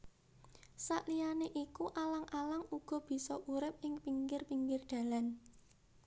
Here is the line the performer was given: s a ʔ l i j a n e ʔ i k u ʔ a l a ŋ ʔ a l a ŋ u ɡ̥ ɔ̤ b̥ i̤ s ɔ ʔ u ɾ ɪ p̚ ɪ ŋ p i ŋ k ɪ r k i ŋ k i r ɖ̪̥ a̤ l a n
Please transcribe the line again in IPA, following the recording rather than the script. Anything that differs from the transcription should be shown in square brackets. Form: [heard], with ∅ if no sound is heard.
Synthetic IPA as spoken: s a ʔ l i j a n e ʔ i k u ʔ a l a ŋ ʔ a l a ŋ u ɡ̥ ɔ̤ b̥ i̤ s ɔ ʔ u ɾ ɪ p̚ ɪ ŋ p i ŋ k ɪ r [p] i ŋ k [ɪ] r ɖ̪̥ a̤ l a n